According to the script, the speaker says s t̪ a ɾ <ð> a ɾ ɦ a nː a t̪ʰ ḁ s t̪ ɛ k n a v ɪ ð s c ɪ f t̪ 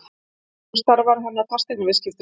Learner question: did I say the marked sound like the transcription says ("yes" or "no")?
no